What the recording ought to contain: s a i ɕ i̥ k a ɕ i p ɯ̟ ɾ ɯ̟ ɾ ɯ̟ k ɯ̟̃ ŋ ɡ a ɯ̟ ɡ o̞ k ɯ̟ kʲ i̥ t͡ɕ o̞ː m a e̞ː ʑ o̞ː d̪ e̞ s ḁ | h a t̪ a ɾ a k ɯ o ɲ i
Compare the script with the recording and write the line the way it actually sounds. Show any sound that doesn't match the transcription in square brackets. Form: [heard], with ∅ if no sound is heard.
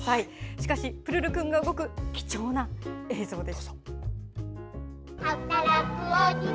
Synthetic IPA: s a i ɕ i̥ k a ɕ i p ɯ̟ ɾ ɯ̟ ɾ ɯ̟ k ɯ̟̃ ŋ ɡ a ɯ̟ ɡ o̞ k ɯ̟ kʲ i̥ t͡ɕ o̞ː [n] a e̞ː [z] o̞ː d̪ e̞ s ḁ | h a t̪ a ɾ a k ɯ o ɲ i